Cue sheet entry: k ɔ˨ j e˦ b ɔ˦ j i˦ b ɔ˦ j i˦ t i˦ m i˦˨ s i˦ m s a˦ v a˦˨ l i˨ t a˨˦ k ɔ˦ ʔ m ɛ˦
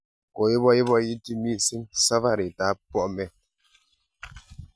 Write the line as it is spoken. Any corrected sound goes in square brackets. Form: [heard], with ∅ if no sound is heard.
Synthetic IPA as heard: k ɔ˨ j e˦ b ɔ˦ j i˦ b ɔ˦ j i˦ t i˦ m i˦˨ s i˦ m s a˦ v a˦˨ [ɾ] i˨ t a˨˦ [p] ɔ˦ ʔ m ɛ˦